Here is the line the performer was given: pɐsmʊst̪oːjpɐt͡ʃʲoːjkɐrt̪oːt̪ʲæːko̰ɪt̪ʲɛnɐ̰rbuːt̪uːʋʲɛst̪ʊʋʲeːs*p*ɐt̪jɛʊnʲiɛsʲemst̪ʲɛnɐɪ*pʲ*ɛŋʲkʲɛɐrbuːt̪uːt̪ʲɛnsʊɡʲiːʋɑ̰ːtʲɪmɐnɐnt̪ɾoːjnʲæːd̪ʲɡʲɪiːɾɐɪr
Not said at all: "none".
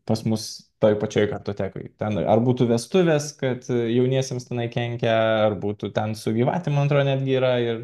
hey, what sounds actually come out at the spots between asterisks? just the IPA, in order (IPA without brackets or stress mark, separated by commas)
k, kʲ